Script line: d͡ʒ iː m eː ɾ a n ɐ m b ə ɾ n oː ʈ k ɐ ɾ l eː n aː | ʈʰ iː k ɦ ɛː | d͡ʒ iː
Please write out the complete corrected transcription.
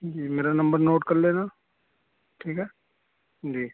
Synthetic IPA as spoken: d͡ʒ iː m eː ɾ a n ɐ m b ə ɾ n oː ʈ k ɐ ɾ l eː n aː | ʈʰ iː k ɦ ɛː | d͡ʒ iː